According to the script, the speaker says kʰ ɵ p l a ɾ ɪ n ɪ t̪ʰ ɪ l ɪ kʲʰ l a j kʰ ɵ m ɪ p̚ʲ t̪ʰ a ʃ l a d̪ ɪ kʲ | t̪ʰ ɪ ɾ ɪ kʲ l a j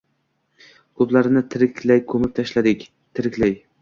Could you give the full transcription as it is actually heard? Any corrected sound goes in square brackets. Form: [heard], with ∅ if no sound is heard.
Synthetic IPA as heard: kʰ ɵ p l a ɾ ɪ n ɪ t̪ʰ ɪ [ɾ] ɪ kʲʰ l a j kʰ ɵ m ɪ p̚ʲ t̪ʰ a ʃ l a d̪ ɪ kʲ | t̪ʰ ɪ ɾ ɪ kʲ l a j

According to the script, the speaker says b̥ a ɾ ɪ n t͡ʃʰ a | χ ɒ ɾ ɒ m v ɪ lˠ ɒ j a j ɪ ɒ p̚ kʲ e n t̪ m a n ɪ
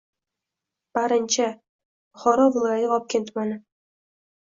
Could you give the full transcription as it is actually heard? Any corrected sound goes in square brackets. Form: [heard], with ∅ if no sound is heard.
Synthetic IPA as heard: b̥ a ɾ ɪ n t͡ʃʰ a | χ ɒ ɾ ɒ [∅] v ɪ lˠ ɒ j a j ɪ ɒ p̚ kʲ e n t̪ m a n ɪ

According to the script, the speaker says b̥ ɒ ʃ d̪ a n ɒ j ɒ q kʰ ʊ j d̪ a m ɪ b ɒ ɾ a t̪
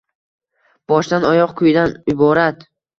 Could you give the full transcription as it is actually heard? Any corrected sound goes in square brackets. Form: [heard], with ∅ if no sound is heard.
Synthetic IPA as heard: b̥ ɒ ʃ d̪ a n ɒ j ɒ q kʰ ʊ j d̪ a [n] ɪ b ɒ ɾ a t̪

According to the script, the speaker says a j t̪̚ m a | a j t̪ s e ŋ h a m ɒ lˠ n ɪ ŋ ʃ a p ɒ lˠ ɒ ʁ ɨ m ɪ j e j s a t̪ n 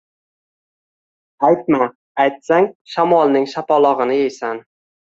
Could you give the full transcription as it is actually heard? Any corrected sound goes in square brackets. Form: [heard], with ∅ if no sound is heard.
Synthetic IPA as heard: a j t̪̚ m a | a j t̪ s [a] ŋ [ʃ] a m ɒ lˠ n ɪ ŋ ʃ a p ɒ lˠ ɒ ʁ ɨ [n] ɪ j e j s a [∅] n

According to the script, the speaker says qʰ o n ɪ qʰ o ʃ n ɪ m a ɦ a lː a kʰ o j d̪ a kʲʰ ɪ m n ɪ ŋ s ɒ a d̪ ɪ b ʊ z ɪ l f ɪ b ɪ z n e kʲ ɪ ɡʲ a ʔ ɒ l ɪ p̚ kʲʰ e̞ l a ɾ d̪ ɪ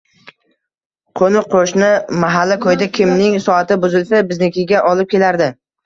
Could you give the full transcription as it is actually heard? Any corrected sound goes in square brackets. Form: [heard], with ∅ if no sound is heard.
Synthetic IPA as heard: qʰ o n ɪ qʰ o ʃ n ɪ m a ɦ a lː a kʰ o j d̪ a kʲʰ ɪ m n ɪ ŋ s ɒ a [t̪] ɪ b ʊ z ɪ l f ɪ b ɪ z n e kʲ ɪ ɡʲ a ʔ ɒ l ɪ p̚ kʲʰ e̞ l a ɾ d̪ ɪ

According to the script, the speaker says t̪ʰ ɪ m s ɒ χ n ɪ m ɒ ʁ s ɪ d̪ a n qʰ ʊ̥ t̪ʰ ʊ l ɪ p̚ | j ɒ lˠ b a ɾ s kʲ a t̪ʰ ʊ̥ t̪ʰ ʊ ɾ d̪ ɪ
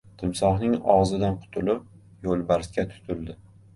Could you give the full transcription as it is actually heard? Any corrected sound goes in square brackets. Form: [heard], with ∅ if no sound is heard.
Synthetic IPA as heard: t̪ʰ ɪ m s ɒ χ n ɪ [ŋ] ɒ ʁ [z] ɪ d̪ a n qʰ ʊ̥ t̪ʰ ʊ l ɪ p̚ | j [o] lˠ b a ɾ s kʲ a t̪ʰ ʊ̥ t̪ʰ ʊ [l] d̪ ɪ

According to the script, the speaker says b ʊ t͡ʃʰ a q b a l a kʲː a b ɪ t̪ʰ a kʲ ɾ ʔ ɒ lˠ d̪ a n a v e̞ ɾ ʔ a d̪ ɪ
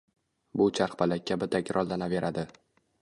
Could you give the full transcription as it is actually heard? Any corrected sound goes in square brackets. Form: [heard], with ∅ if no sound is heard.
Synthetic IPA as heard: b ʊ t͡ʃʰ a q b a l a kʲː a b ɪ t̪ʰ a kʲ ɾ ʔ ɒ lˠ d̪ a n a v e̞ ɾ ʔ a d̪ ɪ

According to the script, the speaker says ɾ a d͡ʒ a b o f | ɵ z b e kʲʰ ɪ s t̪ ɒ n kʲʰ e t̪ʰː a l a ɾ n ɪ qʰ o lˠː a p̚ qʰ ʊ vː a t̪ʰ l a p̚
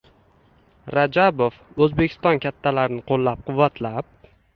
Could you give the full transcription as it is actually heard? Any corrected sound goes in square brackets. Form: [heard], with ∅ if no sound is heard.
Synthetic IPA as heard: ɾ a d͡ʒ a b o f | ɵ z b e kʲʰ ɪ s t̪ ɒ n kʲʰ [a] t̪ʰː a l a ɾ n ɪ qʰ o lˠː a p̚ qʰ ʊ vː a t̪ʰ l a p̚

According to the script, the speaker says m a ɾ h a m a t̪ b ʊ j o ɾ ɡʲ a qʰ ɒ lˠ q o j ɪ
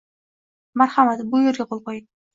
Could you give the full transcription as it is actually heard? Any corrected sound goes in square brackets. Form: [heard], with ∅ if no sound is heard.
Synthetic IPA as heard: m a ɾ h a m a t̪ b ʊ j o ɾ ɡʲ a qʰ [o] lˠ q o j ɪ

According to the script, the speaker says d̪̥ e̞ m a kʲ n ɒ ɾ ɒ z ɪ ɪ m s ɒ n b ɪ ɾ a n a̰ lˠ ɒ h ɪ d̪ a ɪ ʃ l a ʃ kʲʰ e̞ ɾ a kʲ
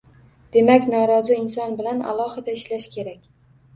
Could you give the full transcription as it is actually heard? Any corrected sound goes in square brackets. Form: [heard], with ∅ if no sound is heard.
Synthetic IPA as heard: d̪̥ e̞ m a kʲ n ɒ ɾ ɒ z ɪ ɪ [n] s ɒ n b ɪ [l] a n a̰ lˠ ɒ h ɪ d̪ a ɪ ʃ l a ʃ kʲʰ e̞ ɾ a kʲ

